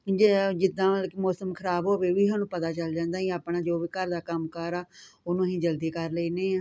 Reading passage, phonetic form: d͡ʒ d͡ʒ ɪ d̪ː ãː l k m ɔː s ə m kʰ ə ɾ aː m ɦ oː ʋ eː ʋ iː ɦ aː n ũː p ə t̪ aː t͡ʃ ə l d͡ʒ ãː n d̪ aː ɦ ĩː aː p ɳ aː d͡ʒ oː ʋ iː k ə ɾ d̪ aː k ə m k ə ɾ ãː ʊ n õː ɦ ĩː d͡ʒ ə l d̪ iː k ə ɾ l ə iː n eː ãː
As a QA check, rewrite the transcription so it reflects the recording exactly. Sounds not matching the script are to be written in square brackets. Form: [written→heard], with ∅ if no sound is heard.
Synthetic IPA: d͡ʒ d͡ʒ ɪ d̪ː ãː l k m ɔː s ə m kʰ ə ɾ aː [m→b] ɦ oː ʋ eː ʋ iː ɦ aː n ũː p ə t̪ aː t͡ʃ ə l d͡ʒ ãː n d̪ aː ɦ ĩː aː p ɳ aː d͡ʒ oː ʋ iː k ə ɾ d̪ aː k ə m k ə ɾ [ãː→aː] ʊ n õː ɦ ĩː d͡ʒ ə l d̪ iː k ə ɾ l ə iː n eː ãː